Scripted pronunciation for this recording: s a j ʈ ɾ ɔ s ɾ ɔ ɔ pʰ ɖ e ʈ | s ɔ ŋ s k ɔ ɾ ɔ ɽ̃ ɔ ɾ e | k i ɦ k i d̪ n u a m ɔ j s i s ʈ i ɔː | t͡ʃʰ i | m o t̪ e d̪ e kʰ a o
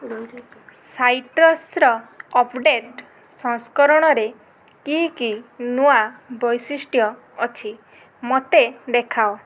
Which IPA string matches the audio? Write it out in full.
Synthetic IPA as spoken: s a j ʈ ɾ ɔ s ɾ ɔ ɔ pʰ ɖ e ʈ | s ɔ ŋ s k ɔ ɾ ɔ ɽ̃ ɔ ɾ e | k i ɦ k i n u a b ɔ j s i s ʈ j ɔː | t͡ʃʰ i | m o t̪ e d̪ e kʰ a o

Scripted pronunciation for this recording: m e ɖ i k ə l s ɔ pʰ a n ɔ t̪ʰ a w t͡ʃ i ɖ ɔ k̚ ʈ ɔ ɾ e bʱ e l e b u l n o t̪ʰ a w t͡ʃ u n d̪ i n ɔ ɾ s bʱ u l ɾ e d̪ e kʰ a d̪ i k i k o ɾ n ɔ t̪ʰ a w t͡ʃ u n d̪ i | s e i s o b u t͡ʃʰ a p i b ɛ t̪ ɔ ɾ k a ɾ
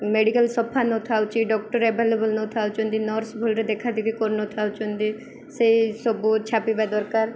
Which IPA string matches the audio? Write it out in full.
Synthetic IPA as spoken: m e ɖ i k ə l s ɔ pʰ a n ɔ t̪ʰ a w t͡ʃ i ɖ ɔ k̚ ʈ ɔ ɾ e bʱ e l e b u l n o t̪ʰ a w t͡ʃ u n d̪ i n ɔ ɾ s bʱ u l ɾ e d̪ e kʰ a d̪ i k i k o ɾ n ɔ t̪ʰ a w t͡ʃ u n d̪ i | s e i s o b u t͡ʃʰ a p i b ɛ d̪ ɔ ɾ k a ɾ

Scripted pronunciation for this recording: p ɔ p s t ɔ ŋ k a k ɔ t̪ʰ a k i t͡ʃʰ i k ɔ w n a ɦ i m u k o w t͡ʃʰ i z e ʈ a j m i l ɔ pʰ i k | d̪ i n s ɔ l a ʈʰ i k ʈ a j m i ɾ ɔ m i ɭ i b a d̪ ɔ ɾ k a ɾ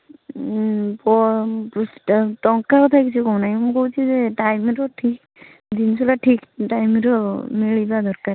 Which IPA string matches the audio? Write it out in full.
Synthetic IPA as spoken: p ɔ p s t ɔ ŋ k a k ɔ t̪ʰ a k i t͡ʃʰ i k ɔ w n a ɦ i m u k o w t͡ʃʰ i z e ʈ a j m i ɾ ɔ ʈʰ i k | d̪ i n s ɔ l a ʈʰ i k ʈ a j m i ɾ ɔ m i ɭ i b a d̪ ɔ ɾ k a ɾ

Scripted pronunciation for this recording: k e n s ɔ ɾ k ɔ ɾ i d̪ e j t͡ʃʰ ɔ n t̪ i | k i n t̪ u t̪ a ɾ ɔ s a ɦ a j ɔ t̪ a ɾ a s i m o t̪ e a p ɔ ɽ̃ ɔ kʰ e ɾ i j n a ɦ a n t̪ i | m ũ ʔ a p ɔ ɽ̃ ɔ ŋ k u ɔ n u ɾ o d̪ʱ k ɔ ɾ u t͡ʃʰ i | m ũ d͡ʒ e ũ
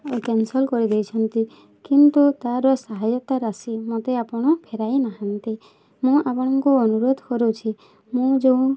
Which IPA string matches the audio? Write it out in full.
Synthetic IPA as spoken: k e n s ɔ l k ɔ ɾ i d̪ e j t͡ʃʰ ɔ n t̪ i | k i n t̪ u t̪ a ɾ ɔ s a ɦ a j ɔ t̪ a ɾ a s i m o t̪ e a p ɔ ɽ̃ ɔ pʰ e ɾ a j n a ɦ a n t̪ i | m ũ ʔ a p ɔ ɽ̃ ɔ ŋ k u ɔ n u ɾ o d̪ʱ k ɔ ɾ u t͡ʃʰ i | m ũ d͡ʒ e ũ

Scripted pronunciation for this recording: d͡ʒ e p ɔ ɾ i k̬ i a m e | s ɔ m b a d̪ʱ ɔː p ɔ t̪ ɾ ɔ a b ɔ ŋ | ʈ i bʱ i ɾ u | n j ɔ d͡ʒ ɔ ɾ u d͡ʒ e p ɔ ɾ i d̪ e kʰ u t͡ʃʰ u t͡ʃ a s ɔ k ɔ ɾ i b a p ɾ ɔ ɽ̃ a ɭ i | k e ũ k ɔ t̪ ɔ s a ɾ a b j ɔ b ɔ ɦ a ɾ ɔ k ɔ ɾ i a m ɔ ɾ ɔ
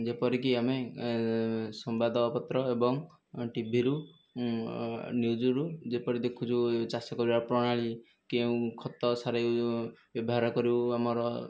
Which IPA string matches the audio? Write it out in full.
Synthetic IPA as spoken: d͡ʒ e p ɔ ɾ i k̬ i a m e | s ɔ m b a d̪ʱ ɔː p ɔ t̪ ɾ ɔ e b ɔ ŋ | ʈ i bʱ i ɾ u | n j u d͡ʒ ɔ ɾ u d͡ʒ e p ɔ ɾ i d̪ e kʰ u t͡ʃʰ u t͡ʃ a s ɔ k ɔ ɾ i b a p ɾ ɔ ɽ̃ a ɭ i | k e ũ kʰ ɔ t̪ ɔ s a ɾ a b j ɔ b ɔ ɦ a ɾ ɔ k ɔ ɾ i a m ɔ ɾ ɔ

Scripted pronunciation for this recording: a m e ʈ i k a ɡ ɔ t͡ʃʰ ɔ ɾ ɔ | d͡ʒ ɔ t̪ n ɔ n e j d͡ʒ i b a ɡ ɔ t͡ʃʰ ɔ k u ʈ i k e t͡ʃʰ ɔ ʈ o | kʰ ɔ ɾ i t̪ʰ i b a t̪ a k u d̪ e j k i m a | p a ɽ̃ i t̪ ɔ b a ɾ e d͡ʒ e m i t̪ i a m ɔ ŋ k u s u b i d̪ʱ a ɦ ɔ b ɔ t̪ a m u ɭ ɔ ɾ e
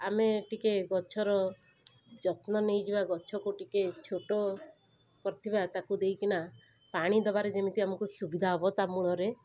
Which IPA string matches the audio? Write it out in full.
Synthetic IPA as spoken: a m e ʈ i k e ɡ ɔ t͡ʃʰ ɔ ɾ ɔ | d͡ʒ ɔ t̪ n ɔ n e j d͡ʒ i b a ɡ ɔ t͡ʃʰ ɔ k u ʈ i k e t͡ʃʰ o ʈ o | k ɔ ɾ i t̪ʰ i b a t̪ a k u d̪ e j k i n a | p a ɽ̃ i d̪ ɔ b a ɾ e d͡ʒ e m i t̪ i a m ɔ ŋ k u s u b i d̪ʱ a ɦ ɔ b ɔ t̪ a m u ɭ ɔ ɾ e

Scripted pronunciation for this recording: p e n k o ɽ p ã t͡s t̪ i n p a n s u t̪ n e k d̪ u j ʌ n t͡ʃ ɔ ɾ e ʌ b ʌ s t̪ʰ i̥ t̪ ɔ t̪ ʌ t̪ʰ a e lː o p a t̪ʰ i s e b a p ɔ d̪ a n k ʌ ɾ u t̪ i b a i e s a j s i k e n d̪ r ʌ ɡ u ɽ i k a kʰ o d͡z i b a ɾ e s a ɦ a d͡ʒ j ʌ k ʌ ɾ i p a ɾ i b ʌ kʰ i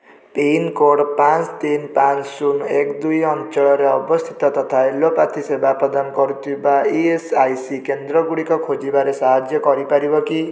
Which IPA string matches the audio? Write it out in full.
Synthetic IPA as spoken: p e n k o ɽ p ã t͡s t̪ i n p a n s u n e k d̪ u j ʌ n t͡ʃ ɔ ɾ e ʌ b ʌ s t̪ʰ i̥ t̪ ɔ t̪ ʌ t̪ʰ a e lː o p a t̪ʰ i s e b a p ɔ d̪ a n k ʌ ɾ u t̪ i b a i e s a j s i k e n d̪ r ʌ ɡ u ɽ i k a kʰ o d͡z i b a ɾ e s a ɦ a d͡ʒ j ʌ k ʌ ɾ i p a ɾ i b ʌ k i

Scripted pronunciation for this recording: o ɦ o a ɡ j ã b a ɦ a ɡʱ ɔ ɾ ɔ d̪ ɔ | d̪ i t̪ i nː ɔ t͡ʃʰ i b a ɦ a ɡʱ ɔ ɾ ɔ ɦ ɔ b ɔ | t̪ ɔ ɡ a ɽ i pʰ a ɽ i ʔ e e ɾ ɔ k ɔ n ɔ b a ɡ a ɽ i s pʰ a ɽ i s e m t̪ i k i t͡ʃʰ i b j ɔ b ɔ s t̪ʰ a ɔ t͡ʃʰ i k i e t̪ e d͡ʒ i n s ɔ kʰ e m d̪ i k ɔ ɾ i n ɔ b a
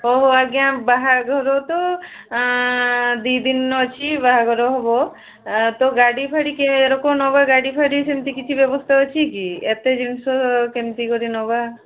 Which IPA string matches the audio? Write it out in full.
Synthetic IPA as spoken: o ɦ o a ɡ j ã b a ɦ a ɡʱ ɔ ɾ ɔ t̪ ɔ | d̪ i d̪ i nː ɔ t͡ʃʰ i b a ɦ a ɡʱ ɔ ɾ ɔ ɦ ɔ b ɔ | t̪ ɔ ɡ a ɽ i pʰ a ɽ i k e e ɾ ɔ k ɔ n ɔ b a ɡ a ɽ i pʰ a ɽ i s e m t̪ i k i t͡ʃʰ i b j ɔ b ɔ s t̪ʰ a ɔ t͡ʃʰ i k i e t̪ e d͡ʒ i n s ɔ k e m t̪ i k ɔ ɾ i n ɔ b a

